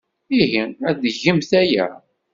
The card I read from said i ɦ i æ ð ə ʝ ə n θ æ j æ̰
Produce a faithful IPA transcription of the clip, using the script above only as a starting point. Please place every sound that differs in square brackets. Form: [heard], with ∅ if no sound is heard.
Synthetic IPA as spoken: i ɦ i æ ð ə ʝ ə [m] θ æ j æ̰